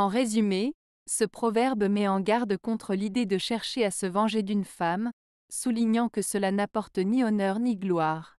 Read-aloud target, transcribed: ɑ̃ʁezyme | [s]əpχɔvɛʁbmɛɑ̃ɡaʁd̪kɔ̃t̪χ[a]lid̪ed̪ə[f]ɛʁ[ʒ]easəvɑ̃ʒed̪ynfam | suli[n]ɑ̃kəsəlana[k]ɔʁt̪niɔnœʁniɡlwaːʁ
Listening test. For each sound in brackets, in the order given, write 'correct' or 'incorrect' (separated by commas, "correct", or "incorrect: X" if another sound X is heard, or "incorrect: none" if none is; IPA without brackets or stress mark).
correct, incorrect: ə, incorrect: ʃ, incorrect: ʃ, incorrect: ɲ, incorrect: p